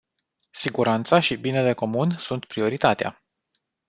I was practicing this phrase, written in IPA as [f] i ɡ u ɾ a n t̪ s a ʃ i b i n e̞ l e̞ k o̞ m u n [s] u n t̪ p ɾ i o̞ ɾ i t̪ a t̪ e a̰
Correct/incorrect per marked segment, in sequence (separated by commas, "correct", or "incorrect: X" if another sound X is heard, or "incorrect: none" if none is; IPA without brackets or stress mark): incorrect: s, correct